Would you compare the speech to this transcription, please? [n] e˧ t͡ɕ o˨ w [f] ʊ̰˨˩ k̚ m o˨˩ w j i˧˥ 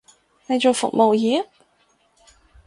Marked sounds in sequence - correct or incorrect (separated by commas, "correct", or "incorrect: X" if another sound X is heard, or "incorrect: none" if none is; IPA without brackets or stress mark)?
correct, correct